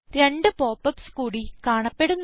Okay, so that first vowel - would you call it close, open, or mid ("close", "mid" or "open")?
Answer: mid